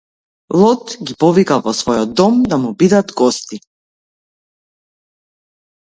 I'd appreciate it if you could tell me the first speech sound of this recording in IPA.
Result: lˠ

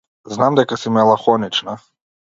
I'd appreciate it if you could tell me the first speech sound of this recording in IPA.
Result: z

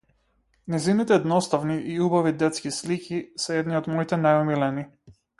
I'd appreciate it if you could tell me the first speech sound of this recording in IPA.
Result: n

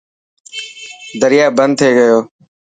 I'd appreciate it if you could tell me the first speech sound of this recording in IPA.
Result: d̪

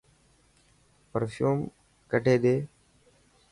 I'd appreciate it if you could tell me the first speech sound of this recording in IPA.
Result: p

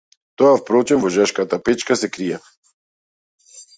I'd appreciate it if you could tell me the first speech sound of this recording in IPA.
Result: t̪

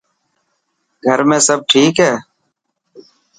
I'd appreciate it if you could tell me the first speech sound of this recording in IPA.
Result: ɡʱ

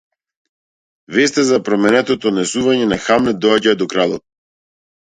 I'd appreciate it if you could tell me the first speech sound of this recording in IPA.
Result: v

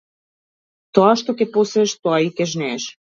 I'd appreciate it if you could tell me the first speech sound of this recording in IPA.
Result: t̪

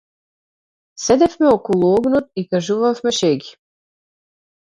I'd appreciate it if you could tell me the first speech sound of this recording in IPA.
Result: s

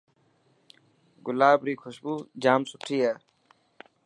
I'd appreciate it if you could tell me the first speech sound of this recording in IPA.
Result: ɡ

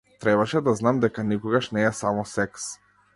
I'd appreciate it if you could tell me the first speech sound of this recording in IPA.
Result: t̪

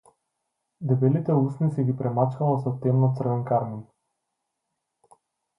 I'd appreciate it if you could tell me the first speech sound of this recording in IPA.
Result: d̪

